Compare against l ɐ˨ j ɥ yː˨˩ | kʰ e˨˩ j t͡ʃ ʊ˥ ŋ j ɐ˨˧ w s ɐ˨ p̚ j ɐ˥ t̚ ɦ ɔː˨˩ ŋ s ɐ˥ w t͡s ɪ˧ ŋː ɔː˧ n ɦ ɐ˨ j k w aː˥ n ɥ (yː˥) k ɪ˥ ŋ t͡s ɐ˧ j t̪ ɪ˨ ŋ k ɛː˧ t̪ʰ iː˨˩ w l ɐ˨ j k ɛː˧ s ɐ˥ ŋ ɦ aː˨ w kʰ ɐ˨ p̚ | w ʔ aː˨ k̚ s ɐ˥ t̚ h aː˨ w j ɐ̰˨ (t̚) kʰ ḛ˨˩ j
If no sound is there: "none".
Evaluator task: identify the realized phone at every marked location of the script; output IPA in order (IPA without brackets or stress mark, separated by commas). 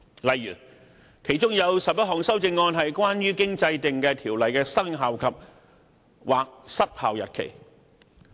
yː˥, t̚